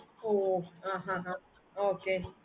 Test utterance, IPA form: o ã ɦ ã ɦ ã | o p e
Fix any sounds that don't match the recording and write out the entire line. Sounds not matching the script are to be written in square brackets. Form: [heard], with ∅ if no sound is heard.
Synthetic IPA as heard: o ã ɦ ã ɦ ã | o [k] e